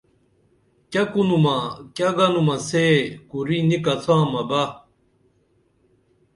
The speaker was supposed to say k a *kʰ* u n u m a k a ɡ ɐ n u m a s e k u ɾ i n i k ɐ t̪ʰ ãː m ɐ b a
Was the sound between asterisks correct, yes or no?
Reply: no